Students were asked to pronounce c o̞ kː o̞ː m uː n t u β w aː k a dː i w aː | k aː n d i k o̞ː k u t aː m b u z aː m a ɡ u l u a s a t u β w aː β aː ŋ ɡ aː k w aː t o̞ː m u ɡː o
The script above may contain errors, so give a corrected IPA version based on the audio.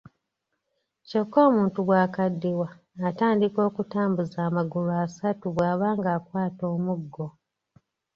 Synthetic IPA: c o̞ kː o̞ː m uː n t u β w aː k a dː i w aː | t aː n d i k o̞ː k u t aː m b u z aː m a ɡ u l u a s a t u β w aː β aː ŋ ɡ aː k w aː t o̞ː m u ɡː o